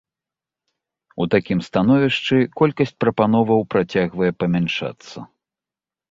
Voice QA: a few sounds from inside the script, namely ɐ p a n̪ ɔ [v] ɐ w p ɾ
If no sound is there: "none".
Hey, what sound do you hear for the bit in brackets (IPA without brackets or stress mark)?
v